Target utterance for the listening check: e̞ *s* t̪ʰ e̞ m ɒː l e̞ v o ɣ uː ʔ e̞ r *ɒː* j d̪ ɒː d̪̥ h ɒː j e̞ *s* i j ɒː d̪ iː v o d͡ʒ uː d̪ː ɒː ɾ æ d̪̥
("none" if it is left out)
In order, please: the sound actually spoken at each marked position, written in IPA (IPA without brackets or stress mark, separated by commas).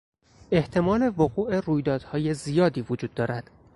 h, uː, z